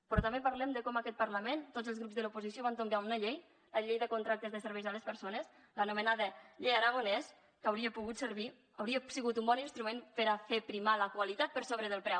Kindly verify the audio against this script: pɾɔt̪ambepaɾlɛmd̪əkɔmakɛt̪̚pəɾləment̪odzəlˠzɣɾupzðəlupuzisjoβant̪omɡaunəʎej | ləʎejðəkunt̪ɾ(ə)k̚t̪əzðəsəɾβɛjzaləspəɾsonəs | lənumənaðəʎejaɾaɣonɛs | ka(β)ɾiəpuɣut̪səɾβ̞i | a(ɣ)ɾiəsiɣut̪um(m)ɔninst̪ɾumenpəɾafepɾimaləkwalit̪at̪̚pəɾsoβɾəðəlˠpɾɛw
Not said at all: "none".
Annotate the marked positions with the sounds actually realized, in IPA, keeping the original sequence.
a, w, w, b

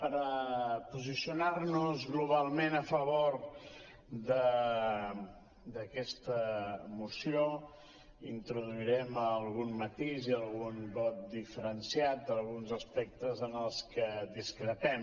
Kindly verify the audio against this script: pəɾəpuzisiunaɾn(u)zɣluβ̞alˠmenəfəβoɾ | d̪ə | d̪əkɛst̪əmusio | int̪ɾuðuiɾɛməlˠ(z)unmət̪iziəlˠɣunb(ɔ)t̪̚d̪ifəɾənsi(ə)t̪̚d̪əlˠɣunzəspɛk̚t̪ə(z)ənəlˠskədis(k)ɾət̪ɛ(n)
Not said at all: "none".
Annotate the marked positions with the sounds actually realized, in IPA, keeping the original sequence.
u, ɣ, ɔ, a, z, k, m

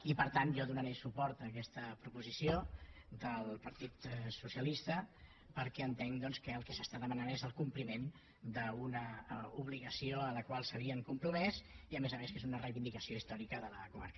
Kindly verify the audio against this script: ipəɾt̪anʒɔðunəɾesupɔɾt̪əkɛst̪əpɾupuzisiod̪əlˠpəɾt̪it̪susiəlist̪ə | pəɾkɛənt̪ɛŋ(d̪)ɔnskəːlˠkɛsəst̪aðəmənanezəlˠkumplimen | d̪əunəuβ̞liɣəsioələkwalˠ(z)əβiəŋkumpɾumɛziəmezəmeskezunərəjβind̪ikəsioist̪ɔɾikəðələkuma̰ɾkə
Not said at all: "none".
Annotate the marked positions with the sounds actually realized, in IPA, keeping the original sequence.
d̪, s

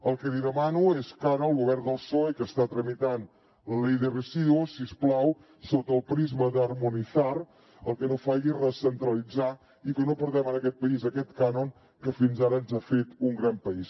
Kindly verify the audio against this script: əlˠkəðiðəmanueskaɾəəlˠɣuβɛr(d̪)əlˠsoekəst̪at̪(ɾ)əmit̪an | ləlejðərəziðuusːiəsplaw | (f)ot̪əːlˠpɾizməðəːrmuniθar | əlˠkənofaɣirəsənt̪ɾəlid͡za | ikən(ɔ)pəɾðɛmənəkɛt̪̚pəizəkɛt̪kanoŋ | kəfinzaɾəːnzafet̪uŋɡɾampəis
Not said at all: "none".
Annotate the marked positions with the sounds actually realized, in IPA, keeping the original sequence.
d̪, ɾ, s, o

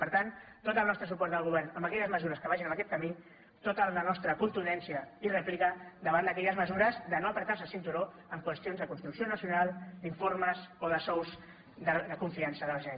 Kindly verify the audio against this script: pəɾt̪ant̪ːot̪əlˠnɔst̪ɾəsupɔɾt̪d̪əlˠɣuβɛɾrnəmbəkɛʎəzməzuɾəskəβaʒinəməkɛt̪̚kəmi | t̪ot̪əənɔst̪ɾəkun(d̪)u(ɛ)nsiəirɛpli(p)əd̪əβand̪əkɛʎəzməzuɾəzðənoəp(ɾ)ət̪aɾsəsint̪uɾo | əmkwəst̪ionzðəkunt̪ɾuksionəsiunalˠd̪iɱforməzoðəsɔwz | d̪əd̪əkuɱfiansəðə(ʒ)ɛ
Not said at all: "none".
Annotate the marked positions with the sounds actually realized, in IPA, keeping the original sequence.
t̪, ɛ, k, ɾ, ʒ

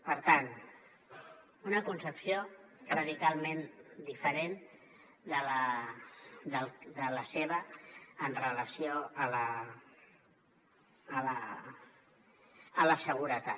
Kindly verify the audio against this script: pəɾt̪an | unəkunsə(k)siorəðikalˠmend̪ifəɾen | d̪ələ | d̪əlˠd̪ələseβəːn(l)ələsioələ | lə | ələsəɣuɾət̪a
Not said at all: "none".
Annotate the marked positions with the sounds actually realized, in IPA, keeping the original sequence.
p, r

